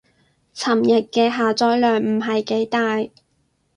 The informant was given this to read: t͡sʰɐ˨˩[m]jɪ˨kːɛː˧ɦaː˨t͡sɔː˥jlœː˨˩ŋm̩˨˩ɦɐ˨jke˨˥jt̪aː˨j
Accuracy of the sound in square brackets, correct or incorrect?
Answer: correct